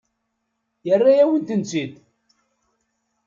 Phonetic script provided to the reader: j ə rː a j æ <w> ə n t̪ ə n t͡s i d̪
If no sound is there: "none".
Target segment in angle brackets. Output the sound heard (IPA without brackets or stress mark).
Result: w